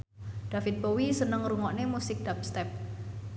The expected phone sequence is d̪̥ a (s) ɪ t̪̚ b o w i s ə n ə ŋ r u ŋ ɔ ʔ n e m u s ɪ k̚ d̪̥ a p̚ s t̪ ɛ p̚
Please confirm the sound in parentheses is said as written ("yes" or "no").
no